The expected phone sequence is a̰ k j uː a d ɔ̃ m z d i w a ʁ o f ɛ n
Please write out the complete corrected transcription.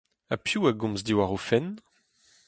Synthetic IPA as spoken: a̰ p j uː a ɡ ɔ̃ m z d i w a ʁ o f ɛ n